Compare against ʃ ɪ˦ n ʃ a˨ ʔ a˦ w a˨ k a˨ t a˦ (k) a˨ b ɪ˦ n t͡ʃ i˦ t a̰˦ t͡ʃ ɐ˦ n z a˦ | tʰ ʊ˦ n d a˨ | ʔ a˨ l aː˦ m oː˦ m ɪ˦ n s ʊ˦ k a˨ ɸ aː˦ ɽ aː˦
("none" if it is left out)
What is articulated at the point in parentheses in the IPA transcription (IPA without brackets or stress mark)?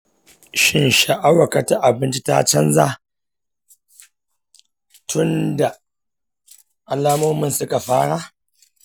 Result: ʔ